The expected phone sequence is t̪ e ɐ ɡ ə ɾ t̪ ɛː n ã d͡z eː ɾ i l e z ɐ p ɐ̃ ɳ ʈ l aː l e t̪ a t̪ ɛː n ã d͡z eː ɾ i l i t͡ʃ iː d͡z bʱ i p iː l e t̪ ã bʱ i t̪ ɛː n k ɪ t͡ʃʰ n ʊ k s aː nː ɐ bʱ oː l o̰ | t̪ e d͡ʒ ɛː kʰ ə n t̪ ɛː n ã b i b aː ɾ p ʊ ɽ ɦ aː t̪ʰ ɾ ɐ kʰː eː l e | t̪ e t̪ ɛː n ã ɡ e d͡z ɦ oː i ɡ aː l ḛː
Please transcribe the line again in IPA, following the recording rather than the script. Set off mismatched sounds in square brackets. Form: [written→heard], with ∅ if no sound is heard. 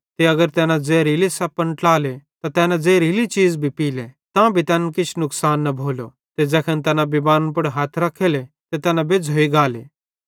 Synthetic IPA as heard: t̪ e ɐ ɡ ə ɾ t̪ ɛː n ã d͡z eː ɾ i l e [z→s] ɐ p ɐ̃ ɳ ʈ l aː l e t̪ a t̪ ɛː n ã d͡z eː ɾ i l i t͡ʃ iː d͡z bʱ i p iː l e t̪ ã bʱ i t̪ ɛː n k ɪ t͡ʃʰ n ʊ k s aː nː ɐ bʱ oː l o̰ | t̪ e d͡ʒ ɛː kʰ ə n t̪ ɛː n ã b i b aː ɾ p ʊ ɽ ɦ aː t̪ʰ ɾ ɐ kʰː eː l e | t̪ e t̪ ɛː n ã [ɡ→b] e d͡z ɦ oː i ɡ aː l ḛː